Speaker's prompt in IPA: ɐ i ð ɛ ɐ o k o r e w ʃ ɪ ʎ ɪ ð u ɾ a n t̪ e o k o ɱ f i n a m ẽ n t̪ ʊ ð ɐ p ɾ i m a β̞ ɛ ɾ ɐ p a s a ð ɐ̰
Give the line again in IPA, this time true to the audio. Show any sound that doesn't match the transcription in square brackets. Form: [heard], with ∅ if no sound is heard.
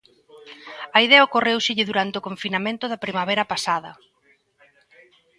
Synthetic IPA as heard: ɐ i ð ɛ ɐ o k o r e w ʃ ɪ ʎ ɪ ð u ɾ a n t̪ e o k o ɱ f i n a m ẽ n t̪ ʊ ð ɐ p ɾ i m a β̞ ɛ ɾ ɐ p a s a ð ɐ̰